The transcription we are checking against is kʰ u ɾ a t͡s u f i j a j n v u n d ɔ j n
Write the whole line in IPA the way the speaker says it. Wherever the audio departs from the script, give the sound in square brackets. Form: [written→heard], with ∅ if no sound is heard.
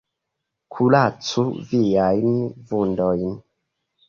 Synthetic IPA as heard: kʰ u [ɾ→l] a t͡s u [f→v] i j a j n v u n d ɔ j n